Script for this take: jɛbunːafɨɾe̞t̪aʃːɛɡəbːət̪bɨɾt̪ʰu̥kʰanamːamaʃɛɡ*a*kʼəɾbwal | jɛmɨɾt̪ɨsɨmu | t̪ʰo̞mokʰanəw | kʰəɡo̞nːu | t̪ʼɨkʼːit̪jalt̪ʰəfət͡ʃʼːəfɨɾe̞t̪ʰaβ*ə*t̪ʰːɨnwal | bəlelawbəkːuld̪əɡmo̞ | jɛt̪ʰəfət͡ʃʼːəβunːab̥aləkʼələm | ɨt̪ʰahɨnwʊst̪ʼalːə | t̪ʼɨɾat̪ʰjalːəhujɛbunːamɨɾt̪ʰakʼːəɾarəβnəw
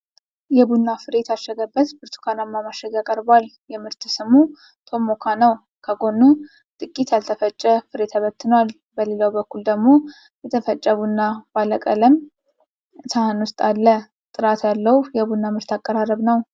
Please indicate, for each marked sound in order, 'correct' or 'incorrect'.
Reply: correct, correct

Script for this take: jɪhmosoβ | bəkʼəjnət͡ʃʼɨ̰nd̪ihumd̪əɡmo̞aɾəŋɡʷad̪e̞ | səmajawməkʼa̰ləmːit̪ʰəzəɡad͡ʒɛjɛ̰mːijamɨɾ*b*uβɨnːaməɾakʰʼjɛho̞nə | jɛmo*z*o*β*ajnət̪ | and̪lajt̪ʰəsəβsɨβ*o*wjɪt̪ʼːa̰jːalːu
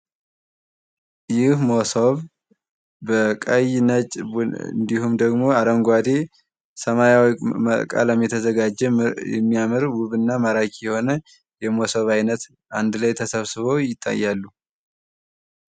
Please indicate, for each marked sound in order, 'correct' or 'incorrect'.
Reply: incorrect, incorrect, correct, correct

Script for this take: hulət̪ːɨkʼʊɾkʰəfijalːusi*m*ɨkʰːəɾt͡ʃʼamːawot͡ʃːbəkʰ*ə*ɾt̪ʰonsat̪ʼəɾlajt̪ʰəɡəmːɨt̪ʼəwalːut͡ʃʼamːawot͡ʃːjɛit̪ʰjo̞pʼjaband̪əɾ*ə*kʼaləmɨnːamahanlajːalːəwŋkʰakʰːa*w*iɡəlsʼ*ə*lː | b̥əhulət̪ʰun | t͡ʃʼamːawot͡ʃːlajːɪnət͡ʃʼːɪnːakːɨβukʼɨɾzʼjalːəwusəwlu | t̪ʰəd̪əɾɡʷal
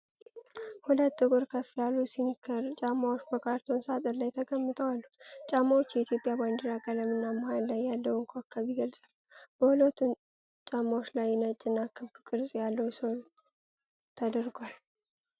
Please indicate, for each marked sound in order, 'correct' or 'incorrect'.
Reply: incorrect, incorrect, incorrect, incorrect, incorrect

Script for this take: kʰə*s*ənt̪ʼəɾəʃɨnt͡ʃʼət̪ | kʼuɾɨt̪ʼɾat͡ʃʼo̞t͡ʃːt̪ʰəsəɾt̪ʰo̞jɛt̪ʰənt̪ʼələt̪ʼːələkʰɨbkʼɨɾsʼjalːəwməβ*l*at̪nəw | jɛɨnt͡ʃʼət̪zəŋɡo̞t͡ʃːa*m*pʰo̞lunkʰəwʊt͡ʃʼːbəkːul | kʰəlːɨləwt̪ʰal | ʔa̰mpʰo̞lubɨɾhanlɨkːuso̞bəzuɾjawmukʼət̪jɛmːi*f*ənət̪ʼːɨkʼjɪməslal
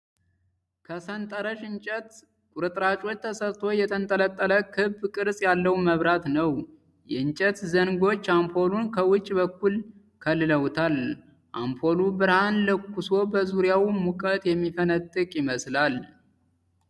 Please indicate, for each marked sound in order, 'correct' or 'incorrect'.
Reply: correct, incorrect, correct, correct

